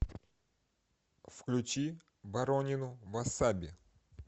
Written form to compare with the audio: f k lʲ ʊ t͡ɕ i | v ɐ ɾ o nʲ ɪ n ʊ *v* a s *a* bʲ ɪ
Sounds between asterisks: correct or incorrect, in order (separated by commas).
correct, correct